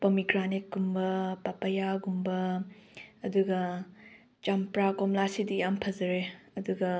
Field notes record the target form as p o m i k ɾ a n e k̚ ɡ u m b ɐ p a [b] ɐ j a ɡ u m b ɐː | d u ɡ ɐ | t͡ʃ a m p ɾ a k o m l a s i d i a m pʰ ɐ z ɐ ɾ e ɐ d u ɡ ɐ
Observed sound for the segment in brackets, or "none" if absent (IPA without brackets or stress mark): p